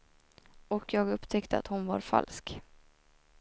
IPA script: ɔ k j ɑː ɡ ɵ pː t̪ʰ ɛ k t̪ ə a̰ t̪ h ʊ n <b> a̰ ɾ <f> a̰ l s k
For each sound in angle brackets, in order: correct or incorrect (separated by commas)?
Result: incorrect, correct